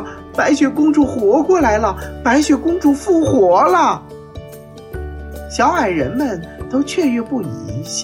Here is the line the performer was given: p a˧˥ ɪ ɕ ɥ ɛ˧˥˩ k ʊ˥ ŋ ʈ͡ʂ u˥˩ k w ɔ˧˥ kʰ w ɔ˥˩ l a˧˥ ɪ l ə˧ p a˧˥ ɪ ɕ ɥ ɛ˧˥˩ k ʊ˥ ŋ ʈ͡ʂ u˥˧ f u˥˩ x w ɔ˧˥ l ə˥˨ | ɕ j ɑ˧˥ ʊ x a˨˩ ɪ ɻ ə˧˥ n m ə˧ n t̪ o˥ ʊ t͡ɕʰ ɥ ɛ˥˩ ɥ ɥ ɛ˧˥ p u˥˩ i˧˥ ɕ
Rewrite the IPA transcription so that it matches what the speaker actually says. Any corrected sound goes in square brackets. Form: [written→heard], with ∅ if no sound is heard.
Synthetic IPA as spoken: p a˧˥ ɪ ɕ ɥ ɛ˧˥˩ k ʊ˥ ŋ ʈ͡ʂ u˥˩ [k→x] w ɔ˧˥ [kʰ→k] w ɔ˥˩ l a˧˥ ɪ l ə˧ p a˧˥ ɪ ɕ ɥ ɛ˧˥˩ k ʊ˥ ŋ ʈ͡ʂ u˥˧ f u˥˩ x w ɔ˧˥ l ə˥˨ | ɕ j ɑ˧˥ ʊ x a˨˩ ɪ ɻ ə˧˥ n m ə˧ n t̪ o˥ ʊ t͡ɕʰ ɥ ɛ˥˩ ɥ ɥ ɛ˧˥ p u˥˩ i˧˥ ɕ